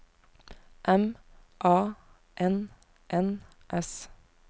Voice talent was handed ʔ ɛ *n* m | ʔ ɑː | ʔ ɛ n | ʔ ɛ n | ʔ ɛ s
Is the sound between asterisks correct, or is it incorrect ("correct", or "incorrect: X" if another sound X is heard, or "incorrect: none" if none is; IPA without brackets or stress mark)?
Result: incorrect: none